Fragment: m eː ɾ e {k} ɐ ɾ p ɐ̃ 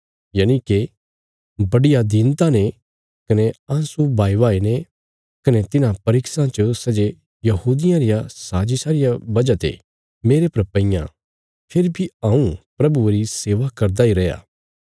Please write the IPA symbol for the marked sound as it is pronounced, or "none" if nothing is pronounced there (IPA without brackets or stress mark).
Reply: p